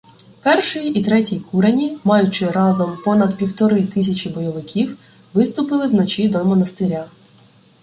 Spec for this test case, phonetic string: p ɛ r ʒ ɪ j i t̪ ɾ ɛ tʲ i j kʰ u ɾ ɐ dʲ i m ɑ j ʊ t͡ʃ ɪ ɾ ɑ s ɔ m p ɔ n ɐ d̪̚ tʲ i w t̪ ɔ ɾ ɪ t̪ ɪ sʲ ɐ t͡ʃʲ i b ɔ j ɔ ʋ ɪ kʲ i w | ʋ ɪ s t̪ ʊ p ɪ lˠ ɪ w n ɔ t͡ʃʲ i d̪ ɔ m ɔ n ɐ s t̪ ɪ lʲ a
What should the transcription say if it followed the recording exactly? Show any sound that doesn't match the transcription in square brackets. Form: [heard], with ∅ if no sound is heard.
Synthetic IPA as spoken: p ɛ r [ʃ] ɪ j i t̪ ɾ ɛ tʲ i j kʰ u ɾ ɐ [nʲ] i m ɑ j ʊ t͡ʃ ɪ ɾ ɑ [z] ɔ m p ɔ n ɐ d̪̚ [pʲ] i w t̪ ɔ ɾ ɪ t̪ ɪ sʲ ɐ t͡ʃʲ i b ɔ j ɔ ʋ ɪ kʲ i w | ʋ ɪ s t̪ ʊ p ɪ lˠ ɪ w n ɔ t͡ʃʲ i d̪ ɔ m ɔ n ɐ s t̪ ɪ [ɾʲ] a